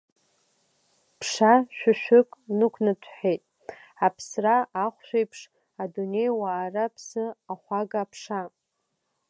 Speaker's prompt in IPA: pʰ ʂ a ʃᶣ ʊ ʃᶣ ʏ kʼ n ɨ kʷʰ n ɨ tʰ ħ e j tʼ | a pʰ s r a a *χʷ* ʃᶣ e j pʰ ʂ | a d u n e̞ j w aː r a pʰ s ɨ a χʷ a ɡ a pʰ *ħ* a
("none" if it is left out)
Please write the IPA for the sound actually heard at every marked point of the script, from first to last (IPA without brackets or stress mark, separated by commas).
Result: χʷ, ʂ